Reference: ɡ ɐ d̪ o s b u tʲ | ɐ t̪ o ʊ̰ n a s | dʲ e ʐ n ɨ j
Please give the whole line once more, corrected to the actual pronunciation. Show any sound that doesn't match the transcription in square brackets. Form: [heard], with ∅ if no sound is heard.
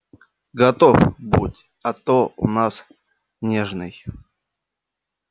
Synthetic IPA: ɡ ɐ [t̪] o [f] b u tʲ | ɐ t̪ o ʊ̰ n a s | [nʲ] e ʐ n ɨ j